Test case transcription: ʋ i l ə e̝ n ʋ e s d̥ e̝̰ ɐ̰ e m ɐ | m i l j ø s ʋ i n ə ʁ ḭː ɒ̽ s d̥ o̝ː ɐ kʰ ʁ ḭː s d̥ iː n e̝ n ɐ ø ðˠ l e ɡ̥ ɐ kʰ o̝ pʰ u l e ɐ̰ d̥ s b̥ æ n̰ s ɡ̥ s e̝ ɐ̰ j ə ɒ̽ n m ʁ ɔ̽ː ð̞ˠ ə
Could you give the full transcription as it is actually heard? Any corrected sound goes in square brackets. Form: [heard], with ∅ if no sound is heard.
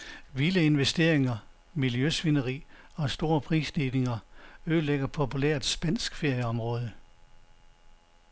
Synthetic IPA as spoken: ʋ i l ə e̝ n ʋ e s d̥ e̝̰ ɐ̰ e [ŋ] ɐ | m i l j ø s ʋ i n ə ʁ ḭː ɒ̽ s d̥ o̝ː ɐ [pʰ] ʁ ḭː s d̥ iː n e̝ [ŋ] ɐ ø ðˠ l e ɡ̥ ɐ [pʰ] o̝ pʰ u l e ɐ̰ d̥ s b̥ æ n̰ s ɡ̥ [f] e̝ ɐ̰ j ə ɒ̽ [∅] m ʁ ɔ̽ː ð̞ˠ ə